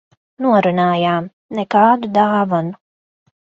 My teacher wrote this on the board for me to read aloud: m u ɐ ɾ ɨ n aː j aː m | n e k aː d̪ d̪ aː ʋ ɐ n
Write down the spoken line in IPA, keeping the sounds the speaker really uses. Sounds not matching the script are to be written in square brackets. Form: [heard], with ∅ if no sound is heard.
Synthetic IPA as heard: [n] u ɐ ɾ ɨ n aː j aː m | n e k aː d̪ d̪ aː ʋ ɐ n